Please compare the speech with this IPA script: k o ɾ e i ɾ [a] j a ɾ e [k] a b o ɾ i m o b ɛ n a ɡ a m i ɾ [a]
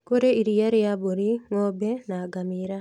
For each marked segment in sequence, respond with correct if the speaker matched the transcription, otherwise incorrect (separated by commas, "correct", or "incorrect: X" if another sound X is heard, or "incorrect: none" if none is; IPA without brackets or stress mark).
incorrect: i, incorrect: none, correct